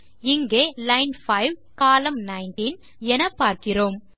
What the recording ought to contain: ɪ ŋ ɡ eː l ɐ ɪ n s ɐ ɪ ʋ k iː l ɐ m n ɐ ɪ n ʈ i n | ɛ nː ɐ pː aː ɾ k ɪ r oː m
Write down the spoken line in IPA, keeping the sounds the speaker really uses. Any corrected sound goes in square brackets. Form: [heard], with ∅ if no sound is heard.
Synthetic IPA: ɪ ŋ ɡ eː l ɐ ɪ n [f] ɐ ɪ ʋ k [aː] l ɐ m n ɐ ɪ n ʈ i n | ɛ [n] ɐ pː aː ɾ k ɪ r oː m

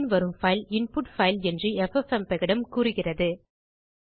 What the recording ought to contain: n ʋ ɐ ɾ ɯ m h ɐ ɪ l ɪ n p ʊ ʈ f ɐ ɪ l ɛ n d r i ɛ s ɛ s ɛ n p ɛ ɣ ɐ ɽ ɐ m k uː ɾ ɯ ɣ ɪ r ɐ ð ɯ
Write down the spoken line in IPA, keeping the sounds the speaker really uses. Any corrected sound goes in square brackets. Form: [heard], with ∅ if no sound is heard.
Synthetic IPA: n ʋ ɐ ɾ ɯ m [f] ɐ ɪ l ɪ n p ʊ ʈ f ɐ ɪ l ɛ n d r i ɛ [f] ɛ [f] ɛ [m] p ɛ ɣ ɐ ɽ ɐ m k uː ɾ ɯ ɣ ɪ r ɐ ð ɯ

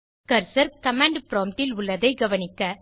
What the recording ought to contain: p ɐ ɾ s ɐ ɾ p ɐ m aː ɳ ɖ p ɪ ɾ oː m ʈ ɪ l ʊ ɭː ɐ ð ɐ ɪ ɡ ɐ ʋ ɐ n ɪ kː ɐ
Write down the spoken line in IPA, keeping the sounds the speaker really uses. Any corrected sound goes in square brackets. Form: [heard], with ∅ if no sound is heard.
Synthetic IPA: [k] ɐ ɾ s ɐ ɾ [k] ɐ m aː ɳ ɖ p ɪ ɾ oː m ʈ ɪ l ʊ ɭː ɐ ð ɐ ɪ ɡ ɐ ʋ ɐ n ɪ kː ɐ

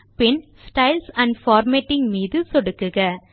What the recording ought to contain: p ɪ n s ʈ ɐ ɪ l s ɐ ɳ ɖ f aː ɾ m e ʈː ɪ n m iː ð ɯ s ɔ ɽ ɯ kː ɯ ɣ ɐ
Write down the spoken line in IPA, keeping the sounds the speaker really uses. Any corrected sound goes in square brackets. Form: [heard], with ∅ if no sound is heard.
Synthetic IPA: p ɪ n s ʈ ɐ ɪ l s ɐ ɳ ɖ f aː ɾ m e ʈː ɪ [ŋ] m iː ð ɯ s ɔ ɽ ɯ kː ɯ ɣ ɐ

